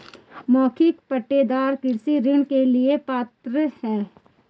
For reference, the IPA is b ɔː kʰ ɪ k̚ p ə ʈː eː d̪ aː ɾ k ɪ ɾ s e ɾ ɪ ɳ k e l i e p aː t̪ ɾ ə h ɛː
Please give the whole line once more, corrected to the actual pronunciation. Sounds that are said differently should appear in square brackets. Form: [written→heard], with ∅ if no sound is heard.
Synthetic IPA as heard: [b→m] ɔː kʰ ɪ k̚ p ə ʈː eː d̪ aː ɾ k ɪ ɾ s [e→i] ɾ ɪ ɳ k e l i e p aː t̪ ɾ ə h ɛː